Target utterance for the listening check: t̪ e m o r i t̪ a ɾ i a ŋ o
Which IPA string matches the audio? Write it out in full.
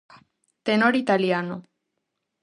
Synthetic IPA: t̪ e n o ɾ i t̪ a l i a n o